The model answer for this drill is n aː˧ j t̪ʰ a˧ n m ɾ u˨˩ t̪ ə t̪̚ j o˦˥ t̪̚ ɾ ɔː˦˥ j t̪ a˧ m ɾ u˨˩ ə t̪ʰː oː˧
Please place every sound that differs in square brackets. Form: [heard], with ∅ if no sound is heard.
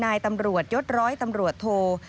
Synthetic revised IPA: n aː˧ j [t̪] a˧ [∅] m ɾ u˨˩ [∅] ə t̪̚ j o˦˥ t̪̚ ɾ ɔː˦˥ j t̪ a˧ m ɾ u˨˩ ə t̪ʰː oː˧